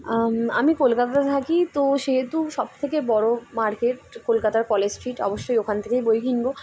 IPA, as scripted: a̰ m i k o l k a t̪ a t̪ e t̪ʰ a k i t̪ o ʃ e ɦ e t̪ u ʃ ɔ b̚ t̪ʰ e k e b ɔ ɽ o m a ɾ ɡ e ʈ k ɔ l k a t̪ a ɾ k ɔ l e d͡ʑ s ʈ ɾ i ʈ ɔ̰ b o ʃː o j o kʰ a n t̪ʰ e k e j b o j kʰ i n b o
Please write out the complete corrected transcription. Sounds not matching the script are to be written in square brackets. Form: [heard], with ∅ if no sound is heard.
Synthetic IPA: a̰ m i k o l k a t̪ a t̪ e t̪ʰ a k i t̪ o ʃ e ɦ e t̪ u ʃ ɔ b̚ t̪ʰ e k e b ɔ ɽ o m a ɾ [k] e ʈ k [o] l k a t̪ a ɾ k ɔ l e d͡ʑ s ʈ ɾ i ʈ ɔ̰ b o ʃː o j o kʰ a n t̪ʰ e k e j b o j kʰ i n b o